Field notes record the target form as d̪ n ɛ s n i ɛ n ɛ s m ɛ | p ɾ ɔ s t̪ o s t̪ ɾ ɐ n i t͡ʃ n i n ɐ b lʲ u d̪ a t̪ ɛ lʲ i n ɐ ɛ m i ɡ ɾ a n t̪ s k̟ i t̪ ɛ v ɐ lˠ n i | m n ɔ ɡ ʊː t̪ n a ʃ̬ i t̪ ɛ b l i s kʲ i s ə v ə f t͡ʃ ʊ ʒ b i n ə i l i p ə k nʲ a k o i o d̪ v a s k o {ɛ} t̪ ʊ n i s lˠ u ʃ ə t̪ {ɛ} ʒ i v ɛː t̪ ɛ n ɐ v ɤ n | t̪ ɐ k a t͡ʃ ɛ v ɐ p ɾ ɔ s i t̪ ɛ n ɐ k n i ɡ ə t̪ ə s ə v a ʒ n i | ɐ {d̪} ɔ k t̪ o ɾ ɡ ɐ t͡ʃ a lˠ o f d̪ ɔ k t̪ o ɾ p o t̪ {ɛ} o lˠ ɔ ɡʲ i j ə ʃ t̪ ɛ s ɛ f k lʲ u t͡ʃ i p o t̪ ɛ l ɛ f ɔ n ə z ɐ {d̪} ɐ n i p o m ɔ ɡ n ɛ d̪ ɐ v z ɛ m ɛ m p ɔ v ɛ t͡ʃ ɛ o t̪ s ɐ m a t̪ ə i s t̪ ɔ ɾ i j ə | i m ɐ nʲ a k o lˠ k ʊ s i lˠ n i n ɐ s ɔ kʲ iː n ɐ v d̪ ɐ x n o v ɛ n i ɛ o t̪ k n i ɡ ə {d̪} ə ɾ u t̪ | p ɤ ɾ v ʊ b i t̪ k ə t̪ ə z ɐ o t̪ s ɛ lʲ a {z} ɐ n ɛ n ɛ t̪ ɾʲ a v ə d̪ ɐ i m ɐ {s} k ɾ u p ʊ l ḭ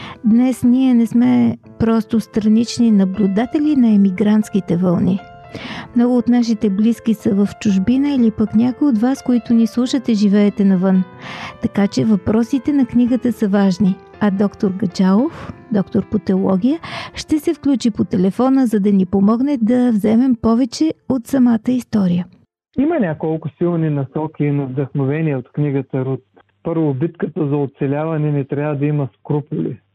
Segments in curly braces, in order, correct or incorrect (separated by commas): incorrect, correct, correct, correct, correct, incorrect, incorrect, correct